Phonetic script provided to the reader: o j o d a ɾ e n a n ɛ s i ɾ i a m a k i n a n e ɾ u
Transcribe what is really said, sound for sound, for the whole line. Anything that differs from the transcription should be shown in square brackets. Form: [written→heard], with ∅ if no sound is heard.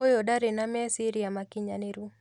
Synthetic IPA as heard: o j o d a ɾ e n a [n→m] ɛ s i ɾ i a m a k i [n→ɲ] a n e ɾ u